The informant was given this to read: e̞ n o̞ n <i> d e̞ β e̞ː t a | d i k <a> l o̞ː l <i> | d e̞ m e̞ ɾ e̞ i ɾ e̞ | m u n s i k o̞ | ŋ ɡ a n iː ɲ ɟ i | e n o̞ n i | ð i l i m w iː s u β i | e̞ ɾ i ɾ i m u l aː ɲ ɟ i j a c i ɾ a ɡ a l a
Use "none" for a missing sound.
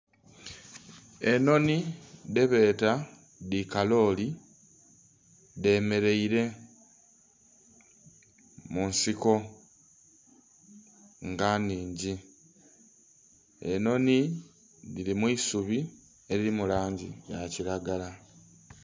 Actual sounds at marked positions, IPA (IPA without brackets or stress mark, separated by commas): i, a, i